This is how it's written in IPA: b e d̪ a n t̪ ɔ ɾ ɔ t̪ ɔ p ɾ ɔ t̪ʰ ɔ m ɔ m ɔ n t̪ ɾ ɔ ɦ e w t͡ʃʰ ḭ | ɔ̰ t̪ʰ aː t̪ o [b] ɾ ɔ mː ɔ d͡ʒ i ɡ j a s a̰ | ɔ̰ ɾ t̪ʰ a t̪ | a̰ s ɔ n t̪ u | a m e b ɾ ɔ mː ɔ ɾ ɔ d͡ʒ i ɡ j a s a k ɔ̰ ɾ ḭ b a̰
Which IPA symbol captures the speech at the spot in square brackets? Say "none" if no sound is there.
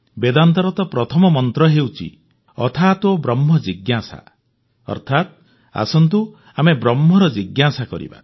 b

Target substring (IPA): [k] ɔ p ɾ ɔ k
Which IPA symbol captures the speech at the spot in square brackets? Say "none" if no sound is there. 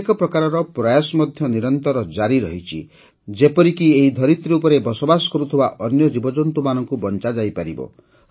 k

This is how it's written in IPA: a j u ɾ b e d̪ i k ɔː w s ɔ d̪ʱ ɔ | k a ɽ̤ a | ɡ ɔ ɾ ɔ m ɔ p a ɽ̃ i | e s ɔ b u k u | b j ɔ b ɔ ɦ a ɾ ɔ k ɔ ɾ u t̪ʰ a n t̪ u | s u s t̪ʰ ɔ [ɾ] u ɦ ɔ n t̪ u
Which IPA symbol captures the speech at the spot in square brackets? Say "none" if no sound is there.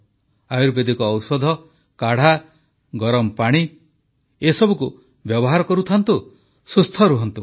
ɾ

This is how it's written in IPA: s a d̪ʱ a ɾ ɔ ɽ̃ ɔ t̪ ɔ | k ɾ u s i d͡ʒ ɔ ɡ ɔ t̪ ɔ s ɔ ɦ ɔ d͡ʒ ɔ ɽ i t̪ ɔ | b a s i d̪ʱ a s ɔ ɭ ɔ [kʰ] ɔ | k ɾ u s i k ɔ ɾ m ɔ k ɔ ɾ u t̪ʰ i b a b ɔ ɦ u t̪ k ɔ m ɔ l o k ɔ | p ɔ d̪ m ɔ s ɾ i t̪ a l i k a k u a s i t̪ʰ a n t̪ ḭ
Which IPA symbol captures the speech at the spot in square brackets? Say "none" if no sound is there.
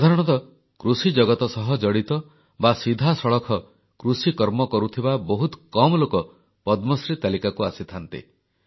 kʰ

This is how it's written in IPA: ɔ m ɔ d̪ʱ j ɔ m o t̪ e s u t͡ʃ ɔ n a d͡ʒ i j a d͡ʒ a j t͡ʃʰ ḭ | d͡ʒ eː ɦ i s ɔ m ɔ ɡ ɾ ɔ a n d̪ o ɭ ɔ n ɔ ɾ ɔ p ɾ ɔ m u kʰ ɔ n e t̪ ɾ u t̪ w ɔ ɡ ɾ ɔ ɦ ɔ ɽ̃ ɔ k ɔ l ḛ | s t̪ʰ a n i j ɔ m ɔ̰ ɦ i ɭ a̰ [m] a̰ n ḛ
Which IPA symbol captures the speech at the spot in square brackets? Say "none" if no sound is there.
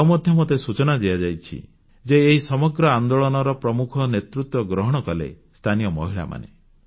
m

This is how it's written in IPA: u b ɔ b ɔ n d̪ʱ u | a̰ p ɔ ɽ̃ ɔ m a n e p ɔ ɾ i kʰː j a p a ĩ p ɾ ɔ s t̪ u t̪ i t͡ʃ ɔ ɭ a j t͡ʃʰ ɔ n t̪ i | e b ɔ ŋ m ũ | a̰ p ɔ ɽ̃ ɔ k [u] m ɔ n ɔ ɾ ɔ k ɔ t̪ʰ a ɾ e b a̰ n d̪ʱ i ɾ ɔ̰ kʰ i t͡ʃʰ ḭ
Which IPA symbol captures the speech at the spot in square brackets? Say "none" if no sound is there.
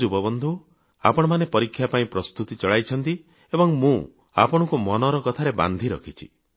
u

